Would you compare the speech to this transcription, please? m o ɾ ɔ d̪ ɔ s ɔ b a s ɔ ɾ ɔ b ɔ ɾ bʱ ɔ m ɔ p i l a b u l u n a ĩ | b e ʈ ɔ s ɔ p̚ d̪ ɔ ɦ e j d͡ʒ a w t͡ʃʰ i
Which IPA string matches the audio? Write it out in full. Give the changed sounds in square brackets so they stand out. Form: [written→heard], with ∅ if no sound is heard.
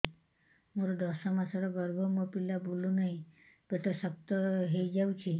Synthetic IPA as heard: m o ɾ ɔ d̪ ɔ s ɔ [b→m] a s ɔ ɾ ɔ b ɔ ɾ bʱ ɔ m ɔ p i l a b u l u n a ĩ | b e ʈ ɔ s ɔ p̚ [d̪→t̪] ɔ ɦ e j d͡ʒ a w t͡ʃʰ i